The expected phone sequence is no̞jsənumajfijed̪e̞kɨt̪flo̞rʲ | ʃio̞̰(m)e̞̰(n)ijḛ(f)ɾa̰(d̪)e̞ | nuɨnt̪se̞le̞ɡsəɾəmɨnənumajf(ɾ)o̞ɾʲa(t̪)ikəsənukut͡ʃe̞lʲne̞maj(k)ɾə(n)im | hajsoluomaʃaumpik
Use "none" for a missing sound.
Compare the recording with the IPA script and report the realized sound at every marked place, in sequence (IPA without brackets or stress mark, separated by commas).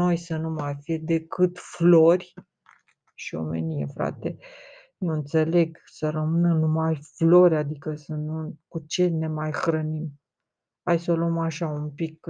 m, n, f, t̪, l, d̪, x, n